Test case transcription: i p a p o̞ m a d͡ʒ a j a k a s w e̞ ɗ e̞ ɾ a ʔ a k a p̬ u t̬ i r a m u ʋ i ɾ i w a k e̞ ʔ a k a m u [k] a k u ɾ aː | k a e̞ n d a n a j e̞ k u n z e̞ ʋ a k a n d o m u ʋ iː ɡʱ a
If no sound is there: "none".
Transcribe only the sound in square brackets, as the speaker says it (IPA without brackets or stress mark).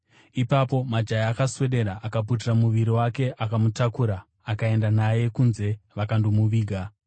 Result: t